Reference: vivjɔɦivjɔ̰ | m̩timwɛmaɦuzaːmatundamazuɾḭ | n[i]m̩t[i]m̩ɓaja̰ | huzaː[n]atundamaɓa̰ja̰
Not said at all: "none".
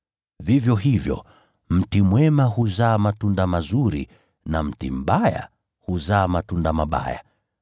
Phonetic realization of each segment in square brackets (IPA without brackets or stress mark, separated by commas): a, i, m